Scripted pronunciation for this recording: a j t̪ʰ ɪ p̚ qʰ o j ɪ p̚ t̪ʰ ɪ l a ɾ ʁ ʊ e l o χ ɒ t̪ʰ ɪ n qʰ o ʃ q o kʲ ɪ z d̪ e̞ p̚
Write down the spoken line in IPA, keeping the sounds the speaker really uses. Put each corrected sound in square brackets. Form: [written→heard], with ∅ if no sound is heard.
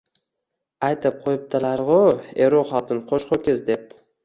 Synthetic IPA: a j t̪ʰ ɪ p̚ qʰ o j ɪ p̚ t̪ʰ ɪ l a ɾ ʁ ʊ e [l→ɾ] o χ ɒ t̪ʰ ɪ n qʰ o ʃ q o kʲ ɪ z d̪ e̞ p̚